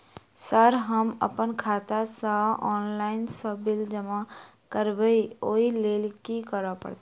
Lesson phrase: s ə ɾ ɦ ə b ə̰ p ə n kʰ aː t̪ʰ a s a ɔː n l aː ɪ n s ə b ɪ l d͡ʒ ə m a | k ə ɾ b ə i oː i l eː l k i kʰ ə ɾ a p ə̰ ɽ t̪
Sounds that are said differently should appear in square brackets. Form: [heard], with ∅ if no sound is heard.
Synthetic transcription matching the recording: s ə ɾ ɦ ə [m] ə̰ p ə n kʰ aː [t̪] a s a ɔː n l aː ɪ n s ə b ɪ l d͡ʒ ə m a | k ə ɾ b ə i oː i l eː l k i [k] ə ɾ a p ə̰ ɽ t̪

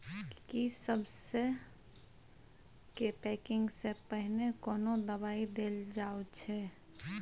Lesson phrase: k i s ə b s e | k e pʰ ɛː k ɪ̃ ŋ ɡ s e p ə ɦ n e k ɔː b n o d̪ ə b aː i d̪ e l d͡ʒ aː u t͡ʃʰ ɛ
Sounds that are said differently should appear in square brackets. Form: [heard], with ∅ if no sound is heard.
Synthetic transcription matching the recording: k i s ə b s e | k e [p] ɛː k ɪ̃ ŋ ɡ s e p ə ɦ n e k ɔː [∅] n o d̪ ə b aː i d̪ e l d͡ʒ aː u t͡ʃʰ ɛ

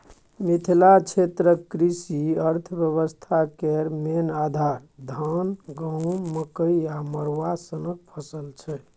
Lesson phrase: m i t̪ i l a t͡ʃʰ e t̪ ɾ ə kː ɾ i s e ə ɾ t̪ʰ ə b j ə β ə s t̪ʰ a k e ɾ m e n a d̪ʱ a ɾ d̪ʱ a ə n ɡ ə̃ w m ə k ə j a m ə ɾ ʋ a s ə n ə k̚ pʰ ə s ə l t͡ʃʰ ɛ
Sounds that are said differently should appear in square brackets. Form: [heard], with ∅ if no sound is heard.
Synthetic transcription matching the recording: m i [t̪ʰ] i l a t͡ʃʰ e t̪ ɾ ə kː ɾ i s [i] ə ɾ t̪ʰ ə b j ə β ə s t̪ʰ a k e ɾ m e n a d̪ʱ a ɾ d̪ʱ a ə n ɡ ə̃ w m ə k ə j a m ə ɾ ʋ a s ə n ə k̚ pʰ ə s ə l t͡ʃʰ ɛ

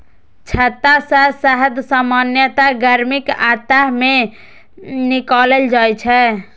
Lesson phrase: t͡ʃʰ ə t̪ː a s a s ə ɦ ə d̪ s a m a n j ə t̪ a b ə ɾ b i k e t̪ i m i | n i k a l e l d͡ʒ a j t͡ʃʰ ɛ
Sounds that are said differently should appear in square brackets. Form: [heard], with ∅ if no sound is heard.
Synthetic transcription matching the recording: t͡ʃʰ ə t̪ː a s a s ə ɦ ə d̪ s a m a n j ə t̪ a [ɡ] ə ɾ [m] i k [a] t̪ [a] m [e] | n i k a l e l d͡ʒ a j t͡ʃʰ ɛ

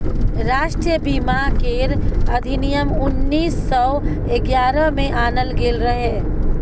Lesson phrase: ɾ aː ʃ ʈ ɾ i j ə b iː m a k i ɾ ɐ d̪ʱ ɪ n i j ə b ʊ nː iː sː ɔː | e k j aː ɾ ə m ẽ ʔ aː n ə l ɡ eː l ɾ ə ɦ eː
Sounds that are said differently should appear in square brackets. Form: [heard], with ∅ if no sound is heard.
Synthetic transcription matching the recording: ɾ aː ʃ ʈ ɾ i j ə b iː m a k [e] ɾ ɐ d̪ʱ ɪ n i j ə [m] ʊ nː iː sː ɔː | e [ɡ] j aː ɾ ə m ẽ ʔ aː n ə l ɡ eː l ɾ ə ɦ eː

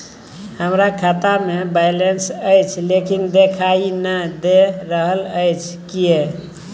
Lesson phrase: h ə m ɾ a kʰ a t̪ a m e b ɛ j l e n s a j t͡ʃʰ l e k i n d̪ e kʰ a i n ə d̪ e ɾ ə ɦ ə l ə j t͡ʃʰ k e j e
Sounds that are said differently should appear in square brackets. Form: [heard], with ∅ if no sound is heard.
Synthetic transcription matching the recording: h ə m ɾ a kʰ a t̪ a m e b [a] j l e n s [ə] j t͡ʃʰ l e k i n d̪ e kʰ a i n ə d̪ e ɾ ə ɦ ə l ə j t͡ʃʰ k [i] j e

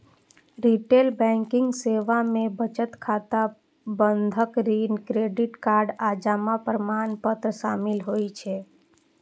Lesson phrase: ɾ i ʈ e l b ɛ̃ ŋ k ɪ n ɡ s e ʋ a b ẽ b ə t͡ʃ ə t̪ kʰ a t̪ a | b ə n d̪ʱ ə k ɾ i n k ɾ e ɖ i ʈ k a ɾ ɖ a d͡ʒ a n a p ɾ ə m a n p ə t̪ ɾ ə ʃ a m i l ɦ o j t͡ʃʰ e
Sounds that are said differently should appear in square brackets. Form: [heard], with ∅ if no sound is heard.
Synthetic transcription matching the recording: ɾ i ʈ e l b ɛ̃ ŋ k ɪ [ŋ] ɡ s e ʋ a [m] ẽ b ə t͡ʃ ə t̪ kʰ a t̪ a | b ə n d̪ʱ ə k ɾ i n k ɾ e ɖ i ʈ k a ɾ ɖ a d͡ʒ a [m] a p ɾ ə m a n p ə t̪ ɾ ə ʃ a m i l ɦ o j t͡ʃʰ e

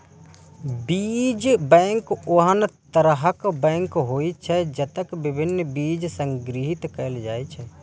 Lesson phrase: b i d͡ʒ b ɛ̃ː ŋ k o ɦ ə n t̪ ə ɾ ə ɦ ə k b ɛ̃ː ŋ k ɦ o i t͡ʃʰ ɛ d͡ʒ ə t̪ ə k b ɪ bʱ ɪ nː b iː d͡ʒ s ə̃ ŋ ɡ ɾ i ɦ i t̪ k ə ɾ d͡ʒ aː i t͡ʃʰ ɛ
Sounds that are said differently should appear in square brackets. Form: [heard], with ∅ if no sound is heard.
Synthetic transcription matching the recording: b i d͡ʒ b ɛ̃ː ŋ k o ɦ ə n t̪ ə ɾ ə ɦ ə k b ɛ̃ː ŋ k ɦ o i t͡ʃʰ ɛ d͡ʒ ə t̪ ə k b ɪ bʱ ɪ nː b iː d͡ʒ s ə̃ ŋ ɡ ɾ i ɦ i t̪ k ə [l] d͡ʒ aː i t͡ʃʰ ɛ

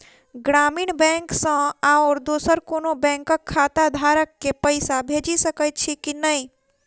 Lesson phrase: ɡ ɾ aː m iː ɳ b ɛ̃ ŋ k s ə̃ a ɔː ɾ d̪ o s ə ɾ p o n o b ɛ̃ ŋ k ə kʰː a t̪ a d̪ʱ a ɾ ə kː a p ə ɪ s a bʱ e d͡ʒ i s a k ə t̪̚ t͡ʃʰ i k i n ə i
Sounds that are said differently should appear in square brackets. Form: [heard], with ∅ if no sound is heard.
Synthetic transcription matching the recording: ɡ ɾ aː m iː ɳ b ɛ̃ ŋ k s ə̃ a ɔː ɾ d̪ o s ə ɾ [k] o n o b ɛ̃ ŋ k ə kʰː a t̪ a d̪ʱ a ɾ ə kː [e] p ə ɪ s a bʱ e d͡ʒ i s [ə] k ə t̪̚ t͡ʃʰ i k i n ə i

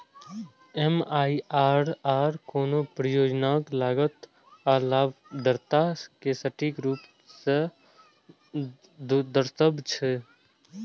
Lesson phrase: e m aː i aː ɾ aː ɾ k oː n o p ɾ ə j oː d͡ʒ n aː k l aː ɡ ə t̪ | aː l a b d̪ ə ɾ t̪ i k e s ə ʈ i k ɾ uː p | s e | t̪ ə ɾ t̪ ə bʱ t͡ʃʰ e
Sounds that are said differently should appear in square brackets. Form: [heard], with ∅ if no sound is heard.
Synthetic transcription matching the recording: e m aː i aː ɾ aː ɾ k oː n o p ɾ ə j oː d͡ʒ n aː k l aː ɡ ə t̪ | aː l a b d̪ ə ɾ t̪ [a] k e s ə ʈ i k ɾ uː p | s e | [d̪] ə ɾ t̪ ə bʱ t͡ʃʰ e

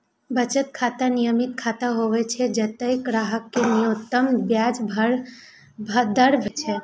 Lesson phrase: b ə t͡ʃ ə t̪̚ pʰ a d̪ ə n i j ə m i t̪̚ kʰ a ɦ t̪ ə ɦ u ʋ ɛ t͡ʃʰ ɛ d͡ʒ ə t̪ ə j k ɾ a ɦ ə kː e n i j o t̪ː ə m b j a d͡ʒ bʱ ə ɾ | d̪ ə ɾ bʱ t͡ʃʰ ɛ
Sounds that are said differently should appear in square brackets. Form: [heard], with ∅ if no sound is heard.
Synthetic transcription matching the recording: b ə t͡ʃ ə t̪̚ [kʰ] a [t̪] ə n i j ə m i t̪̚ kʰ a [∅] t̪ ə ɦ [o] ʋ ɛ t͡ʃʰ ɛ d͡ʒ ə t̪ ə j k ɾ a ɦ ə kː e n i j o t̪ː ə m b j a d͡ʒ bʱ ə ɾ | d̪ ə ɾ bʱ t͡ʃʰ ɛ

